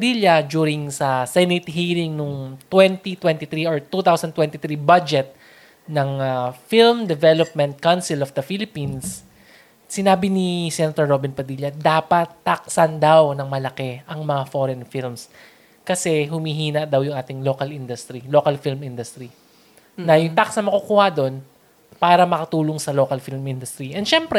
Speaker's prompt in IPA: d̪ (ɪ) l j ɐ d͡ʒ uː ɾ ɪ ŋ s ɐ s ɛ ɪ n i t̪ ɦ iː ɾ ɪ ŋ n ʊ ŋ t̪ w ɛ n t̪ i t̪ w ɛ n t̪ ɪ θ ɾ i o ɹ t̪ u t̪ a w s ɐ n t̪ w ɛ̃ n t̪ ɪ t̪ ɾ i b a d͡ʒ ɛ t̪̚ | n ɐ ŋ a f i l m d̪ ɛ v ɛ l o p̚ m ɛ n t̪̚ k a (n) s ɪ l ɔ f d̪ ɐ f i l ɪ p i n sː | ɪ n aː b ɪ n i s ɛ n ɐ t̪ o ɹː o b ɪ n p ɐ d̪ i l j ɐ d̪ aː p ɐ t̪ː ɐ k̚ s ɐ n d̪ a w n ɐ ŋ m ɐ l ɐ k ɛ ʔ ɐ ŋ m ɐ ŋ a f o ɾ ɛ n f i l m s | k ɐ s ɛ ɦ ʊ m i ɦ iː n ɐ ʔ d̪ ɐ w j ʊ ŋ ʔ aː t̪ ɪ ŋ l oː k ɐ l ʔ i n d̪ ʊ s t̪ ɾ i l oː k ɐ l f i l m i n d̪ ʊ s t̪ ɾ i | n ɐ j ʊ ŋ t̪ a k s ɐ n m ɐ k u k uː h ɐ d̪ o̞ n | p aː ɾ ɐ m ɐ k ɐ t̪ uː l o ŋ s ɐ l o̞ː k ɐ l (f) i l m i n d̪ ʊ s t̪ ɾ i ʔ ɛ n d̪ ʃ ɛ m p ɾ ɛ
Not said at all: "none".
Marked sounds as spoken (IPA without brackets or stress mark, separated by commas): i, n, f